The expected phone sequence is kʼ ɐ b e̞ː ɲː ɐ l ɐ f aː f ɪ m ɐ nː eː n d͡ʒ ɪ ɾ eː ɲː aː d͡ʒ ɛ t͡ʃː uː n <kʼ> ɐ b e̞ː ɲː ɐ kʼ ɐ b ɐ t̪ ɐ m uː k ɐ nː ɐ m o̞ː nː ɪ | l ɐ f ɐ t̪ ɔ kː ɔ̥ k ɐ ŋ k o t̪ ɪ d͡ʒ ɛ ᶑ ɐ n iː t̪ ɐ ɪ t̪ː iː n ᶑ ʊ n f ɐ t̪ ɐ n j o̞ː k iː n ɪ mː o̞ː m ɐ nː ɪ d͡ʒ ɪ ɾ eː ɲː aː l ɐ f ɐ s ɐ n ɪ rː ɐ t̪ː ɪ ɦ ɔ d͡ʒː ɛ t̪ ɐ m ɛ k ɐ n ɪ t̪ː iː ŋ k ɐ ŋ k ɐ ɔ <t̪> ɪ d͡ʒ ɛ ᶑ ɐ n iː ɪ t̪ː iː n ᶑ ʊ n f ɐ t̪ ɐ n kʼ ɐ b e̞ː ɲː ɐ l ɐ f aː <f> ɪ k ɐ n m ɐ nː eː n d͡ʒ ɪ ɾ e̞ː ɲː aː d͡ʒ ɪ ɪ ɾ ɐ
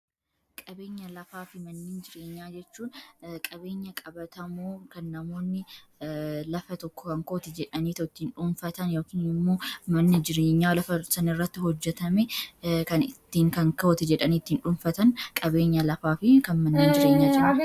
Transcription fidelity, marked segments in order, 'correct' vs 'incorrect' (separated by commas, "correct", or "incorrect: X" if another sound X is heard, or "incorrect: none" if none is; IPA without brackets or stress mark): correct, correct, correct